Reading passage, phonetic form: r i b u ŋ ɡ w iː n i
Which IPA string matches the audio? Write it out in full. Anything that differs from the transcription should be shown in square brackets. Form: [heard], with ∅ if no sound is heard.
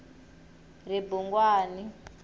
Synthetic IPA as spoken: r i b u ŋ ɡ w [aː] n i

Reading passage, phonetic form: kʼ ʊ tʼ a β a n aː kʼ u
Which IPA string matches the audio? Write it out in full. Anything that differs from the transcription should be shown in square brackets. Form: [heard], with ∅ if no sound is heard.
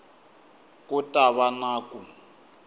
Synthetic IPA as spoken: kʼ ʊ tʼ a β a n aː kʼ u

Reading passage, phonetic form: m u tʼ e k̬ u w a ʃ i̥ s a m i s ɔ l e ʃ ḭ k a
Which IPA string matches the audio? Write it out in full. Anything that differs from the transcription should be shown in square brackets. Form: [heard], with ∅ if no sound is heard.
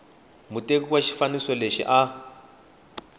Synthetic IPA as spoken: m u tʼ e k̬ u w a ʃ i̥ [f] a [n] i s ɔ l e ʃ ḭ [ʔ] a

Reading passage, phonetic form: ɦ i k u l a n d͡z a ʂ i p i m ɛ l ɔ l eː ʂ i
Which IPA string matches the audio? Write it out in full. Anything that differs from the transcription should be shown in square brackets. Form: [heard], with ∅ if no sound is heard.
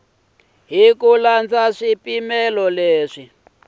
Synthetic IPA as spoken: ɦ i k u l a n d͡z a ʂ i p i m ɛ l ɔ l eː ʂ i

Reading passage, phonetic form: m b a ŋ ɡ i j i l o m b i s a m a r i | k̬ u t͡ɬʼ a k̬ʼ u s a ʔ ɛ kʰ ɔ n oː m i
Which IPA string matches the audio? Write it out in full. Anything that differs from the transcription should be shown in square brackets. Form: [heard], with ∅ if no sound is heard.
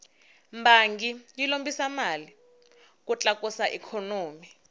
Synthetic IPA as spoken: m b a ŋ ɡ i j i l o m b i s a m a [l] i | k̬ u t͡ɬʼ a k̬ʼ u s a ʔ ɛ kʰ ɔ n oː m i

